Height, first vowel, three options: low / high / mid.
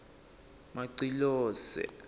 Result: low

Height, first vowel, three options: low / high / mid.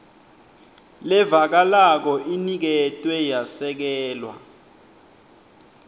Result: mid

